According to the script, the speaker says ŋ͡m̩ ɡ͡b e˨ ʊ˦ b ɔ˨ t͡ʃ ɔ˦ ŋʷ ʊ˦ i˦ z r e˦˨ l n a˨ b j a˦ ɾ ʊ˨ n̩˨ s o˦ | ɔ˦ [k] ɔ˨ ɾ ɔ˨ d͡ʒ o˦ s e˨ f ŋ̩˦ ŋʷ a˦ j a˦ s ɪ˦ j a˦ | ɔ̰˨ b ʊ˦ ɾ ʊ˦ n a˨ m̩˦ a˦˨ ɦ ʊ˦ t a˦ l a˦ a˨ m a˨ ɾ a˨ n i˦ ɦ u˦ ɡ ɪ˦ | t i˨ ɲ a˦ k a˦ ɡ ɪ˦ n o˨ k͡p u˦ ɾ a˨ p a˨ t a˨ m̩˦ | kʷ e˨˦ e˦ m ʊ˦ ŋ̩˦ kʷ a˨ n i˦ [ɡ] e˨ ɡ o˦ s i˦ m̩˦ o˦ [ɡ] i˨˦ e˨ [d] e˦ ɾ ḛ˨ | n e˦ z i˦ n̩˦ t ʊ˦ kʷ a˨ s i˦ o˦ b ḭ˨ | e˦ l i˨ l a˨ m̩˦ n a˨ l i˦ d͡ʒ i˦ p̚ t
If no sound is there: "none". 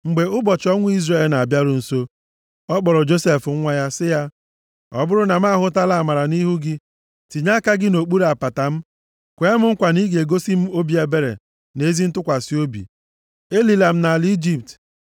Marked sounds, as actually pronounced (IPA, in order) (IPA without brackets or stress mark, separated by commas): k͡p, ɡ, b, b